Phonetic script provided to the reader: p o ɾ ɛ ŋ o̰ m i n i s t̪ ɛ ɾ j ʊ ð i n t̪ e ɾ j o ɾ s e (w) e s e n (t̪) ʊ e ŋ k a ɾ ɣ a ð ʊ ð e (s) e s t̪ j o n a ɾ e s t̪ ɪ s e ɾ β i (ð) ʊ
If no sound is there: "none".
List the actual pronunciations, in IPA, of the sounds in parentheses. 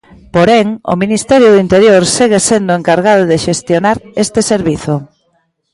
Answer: ɣ, d̪, ʃ, θ

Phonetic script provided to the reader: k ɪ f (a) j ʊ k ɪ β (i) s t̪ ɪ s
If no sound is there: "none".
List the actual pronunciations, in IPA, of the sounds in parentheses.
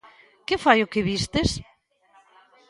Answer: a, i

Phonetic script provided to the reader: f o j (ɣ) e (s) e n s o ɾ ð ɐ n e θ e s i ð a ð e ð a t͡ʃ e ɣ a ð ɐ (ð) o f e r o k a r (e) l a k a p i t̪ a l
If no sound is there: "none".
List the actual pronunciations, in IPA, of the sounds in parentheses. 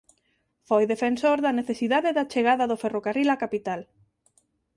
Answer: ð, f, ð, i

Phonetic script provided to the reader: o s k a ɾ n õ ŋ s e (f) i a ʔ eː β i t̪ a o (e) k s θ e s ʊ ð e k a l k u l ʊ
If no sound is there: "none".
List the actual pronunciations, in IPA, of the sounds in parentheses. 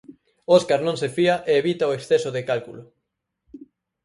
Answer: f, e

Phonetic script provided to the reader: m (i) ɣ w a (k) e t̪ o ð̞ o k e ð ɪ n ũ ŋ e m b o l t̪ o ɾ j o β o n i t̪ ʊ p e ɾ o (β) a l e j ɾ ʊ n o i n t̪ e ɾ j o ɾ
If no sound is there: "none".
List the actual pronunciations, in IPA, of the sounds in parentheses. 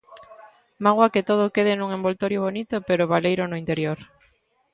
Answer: a, k, β

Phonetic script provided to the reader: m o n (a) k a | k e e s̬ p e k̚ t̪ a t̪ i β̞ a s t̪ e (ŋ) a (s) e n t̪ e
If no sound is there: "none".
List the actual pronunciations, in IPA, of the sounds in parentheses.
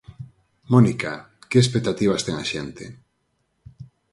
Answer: i, ŋ, ʃ

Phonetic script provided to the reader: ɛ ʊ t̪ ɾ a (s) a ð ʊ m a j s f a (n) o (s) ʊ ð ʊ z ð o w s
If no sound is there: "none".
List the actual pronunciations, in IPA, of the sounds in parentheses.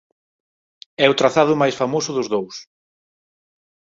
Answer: θ, m, s

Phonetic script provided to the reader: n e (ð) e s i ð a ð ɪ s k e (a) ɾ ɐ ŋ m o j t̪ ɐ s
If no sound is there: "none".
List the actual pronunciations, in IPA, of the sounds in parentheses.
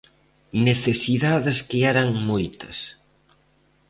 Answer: θ, ɛ

